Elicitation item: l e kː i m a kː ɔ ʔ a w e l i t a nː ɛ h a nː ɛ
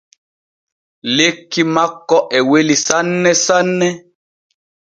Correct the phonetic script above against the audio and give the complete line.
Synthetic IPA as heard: l e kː i m a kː ɔ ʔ ɛ w e l i s a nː ɛ s a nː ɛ